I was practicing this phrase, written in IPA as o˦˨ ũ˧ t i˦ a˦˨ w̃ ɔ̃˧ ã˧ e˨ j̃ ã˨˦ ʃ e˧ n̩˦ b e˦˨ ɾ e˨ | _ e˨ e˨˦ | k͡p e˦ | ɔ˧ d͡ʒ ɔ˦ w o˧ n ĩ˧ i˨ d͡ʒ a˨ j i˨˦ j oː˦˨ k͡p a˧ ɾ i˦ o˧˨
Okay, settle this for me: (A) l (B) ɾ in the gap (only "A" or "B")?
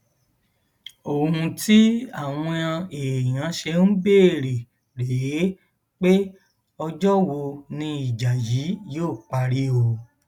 B